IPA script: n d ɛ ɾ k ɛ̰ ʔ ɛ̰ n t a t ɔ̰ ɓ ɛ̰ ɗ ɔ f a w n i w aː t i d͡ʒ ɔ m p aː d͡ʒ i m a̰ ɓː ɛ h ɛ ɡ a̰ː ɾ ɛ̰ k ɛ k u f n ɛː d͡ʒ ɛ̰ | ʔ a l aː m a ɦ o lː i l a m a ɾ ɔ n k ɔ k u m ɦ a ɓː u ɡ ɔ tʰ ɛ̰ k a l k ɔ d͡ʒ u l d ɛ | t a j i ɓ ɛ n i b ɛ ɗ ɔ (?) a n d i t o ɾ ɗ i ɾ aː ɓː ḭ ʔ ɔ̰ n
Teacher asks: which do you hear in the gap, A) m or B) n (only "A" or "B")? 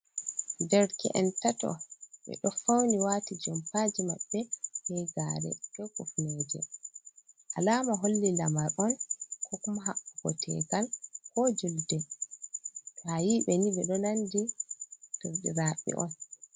B